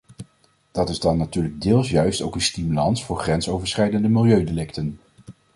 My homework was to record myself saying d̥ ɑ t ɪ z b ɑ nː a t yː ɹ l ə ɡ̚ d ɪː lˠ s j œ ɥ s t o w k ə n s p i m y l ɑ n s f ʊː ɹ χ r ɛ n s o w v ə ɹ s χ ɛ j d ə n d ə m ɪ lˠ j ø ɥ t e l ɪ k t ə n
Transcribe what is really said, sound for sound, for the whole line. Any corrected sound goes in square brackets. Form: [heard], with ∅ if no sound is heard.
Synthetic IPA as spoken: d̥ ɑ t ɪ z [d] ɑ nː a t yː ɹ l ə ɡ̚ d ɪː lˠ s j œ ɥ s t o w k ə n s [t] i m y l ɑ n s f ʊː ɹ χ r ɛ n s o w v ə ɹ s χ ɛ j d ə n d ə m ɪ lˠ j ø ɥ [d] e l ɪ k t ə n